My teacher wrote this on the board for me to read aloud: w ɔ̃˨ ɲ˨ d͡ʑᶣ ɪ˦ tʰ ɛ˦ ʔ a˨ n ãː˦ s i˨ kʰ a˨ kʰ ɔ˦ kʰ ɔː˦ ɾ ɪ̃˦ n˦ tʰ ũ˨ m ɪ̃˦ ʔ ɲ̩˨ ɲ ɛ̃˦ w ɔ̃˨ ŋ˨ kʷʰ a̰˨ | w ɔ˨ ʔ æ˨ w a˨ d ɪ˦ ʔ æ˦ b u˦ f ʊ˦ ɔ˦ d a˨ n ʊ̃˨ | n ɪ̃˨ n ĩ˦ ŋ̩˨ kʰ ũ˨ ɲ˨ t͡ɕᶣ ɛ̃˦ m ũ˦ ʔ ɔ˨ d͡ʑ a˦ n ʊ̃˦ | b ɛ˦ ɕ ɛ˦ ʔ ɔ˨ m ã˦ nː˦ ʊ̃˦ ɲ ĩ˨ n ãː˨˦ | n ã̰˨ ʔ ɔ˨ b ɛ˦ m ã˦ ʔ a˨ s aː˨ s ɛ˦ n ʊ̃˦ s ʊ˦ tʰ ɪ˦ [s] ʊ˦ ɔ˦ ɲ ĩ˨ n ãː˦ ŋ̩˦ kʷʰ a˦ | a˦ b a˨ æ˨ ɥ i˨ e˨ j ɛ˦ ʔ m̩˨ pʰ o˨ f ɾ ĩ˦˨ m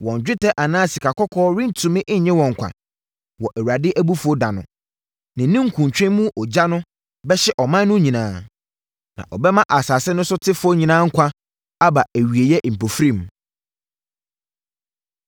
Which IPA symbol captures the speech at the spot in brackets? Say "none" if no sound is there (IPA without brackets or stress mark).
f